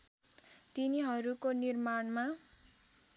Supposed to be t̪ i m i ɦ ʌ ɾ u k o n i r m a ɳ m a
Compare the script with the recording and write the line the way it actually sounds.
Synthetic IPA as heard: t̪ i n i ɦ ʌ ɾ u k o n i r m a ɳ m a